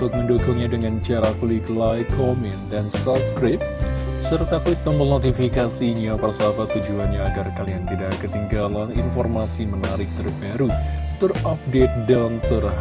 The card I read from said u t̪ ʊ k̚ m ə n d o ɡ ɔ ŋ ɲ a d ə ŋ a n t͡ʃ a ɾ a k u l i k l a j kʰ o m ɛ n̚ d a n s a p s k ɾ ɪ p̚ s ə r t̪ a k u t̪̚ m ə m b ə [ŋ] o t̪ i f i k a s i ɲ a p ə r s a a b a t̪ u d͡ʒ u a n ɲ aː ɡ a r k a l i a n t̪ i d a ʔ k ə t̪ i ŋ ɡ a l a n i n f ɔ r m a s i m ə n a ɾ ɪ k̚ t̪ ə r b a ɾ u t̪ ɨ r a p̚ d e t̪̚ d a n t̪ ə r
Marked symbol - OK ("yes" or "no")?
no